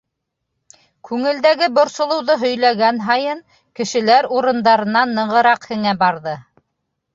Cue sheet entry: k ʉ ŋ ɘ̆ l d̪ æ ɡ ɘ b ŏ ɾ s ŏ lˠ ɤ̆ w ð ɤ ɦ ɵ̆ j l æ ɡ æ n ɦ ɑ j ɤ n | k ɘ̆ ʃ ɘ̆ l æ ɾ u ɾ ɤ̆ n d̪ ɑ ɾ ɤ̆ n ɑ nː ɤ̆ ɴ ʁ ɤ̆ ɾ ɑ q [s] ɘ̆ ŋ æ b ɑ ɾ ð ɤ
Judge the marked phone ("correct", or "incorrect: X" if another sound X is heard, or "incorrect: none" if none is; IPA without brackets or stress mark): incorrect: h